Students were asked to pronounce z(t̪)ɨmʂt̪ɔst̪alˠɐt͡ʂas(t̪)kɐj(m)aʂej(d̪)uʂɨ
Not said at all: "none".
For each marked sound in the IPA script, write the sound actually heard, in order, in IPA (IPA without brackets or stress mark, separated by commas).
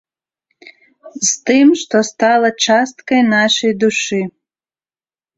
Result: t̪, t̪, n, d̪